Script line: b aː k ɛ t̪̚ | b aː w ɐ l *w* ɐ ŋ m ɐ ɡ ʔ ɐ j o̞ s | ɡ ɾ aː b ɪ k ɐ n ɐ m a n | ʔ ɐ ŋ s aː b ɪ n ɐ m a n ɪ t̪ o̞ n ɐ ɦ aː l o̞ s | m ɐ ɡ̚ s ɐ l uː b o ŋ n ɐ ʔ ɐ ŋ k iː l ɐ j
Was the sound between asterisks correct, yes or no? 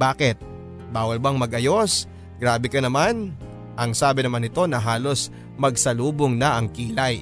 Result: no